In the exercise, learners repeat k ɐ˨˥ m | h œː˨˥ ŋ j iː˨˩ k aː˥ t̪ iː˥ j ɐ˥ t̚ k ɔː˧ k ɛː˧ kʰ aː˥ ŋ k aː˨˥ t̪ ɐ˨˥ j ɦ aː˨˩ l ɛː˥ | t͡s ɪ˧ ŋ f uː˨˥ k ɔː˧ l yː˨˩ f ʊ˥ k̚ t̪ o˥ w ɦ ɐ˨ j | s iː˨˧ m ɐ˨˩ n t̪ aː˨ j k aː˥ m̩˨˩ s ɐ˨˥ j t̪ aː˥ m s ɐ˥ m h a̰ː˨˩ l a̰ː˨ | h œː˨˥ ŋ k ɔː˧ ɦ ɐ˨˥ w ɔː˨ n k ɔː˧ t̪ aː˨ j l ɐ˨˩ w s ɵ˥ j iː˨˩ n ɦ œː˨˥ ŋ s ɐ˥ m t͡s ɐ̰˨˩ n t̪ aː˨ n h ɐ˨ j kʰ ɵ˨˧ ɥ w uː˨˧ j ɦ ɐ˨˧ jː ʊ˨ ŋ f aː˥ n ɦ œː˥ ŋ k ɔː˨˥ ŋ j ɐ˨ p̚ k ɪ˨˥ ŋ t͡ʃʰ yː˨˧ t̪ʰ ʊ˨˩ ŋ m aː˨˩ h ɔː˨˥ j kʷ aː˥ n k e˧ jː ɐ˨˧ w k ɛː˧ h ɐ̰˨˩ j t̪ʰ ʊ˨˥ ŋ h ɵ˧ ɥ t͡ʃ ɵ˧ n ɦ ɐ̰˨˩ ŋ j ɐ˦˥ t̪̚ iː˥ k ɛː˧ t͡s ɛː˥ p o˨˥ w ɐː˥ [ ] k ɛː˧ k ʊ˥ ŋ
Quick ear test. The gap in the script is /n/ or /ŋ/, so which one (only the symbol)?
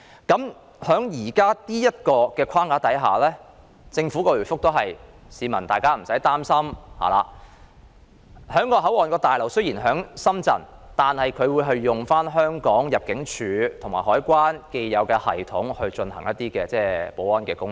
n